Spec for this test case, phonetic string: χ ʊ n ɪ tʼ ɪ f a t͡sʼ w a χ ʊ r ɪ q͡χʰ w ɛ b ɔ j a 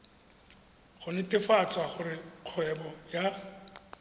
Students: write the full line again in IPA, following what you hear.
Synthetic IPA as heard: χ ʊ n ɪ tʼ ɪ f a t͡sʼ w a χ ʊ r ɪ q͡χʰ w ɛ b ɔ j a